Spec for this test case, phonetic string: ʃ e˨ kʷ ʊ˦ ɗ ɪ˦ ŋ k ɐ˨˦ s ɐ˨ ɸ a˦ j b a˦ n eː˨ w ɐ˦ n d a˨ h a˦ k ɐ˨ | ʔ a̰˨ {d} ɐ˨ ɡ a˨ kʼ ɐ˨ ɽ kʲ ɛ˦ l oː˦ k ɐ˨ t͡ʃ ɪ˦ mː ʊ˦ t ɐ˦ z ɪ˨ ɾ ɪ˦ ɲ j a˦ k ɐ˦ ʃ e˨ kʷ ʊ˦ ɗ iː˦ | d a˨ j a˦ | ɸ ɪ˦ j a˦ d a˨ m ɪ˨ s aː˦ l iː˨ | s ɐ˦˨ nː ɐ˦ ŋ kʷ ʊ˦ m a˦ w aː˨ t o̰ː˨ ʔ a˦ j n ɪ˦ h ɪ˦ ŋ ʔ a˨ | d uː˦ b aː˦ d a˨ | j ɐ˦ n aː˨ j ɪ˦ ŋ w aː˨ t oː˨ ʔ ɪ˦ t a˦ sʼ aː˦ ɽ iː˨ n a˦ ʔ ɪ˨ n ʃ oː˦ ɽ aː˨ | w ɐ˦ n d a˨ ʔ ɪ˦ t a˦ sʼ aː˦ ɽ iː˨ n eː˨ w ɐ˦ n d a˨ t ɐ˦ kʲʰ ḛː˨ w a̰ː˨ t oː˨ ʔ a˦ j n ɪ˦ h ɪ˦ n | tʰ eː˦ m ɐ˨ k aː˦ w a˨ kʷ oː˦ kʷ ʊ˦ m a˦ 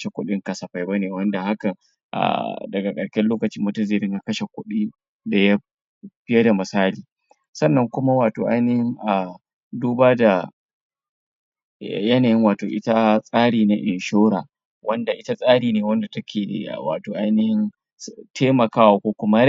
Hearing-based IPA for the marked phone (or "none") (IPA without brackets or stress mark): d